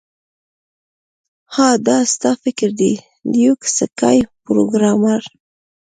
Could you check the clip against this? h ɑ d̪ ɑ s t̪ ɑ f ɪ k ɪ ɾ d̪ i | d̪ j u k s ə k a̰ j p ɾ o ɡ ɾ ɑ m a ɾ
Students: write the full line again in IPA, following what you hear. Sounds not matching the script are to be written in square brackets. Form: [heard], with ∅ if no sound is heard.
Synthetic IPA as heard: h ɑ d̪ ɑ s t̪ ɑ f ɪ k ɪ ɾ d̪ i | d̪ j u k s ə k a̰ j p ɾ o ɡ ɾ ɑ m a ɾ

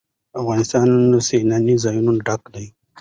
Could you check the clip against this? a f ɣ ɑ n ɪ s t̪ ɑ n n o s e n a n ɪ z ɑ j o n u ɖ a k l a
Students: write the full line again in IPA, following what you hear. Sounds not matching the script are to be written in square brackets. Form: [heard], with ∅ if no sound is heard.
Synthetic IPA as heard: a f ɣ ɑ n ɪ s t̪ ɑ n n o s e n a n [i] z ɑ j [u] n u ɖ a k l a

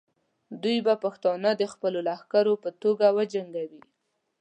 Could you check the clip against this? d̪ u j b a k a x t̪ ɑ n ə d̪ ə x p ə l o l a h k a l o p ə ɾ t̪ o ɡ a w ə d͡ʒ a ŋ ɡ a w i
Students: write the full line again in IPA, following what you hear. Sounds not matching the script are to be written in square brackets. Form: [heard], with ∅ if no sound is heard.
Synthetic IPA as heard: d̪ u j b a [p] a x t̪ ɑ n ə d̪ ə x p ə l o l a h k a [ɾ] o p ə [∅] t̪ o ɡ a w ə d͡ʒ a ŋ ɡ a w i

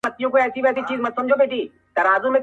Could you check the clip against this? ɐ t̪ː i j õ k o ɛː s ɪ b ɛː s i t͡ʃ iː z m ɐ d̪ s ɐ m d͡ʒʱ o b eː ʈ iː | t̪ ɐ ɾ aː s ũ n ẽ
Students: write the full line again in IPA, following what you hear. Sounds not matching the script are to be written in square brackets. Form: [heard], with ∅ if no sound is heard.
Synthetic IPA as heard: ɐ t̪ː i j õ k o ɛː s [i] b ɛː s i t͡ʃ iː z m ɐ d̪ s ɐ m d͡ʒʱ o b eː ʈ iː | t̪ ɐ ɾ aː [z] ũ [m] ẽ

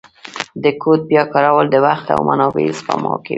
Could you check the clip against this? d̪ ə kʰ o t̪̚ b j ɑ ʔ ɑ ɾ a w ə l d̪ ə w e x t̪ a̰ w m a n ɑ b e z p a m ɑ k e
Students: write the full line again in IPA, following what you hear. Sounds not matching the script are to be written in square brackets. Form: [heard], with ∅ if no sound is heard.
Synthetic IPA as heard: d̪ ə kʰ o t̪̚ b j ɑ [k] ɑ ɾ a w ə l d̪ ə w [a] x t̪ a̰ w m a n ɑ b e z p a m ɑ k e

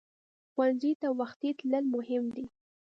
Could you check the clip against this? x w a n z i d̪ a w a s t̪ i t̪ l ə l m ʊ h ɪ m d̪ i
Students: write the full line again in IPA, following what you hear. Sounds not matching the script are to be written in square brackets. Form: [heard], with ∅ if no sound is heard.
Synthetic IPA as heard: x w a n z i [t̪] a w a [x] t̪ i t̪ l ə l m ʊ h ɪ m d̪ i

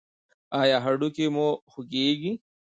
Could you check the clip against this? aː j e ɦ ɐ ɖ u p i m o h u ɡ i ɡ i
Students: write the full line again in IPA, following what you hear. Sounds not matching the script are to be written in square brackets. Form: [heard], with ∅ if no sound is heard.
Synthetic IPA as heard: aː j [a] ɦ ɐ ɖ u [k] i m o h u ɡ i ɡ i

